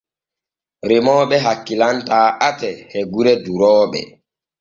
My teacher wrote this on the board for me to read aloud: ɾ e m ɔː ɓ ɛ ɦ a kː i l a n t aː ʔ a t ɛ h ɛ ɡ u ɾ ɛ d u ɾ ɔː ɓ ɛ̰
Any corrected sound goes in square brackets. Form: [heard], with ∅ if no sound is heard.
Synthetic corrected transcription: ɾ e m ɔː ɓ ɛ ɦ a kː i l a n t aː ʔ a t ɛ h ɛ ɡ u ɾ ɛ d u ɾ ɔː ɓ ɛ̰